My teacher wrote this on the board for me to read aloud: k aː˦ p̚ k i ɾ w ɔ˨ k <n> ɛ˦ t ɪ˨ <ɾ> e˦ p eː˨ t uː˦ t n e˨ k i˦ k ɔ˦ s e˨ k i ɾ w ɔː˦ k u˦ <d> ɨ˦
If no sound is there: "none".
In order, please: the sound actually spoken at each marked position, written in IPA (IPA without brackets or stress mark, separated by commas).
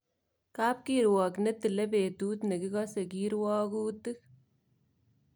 n, l, t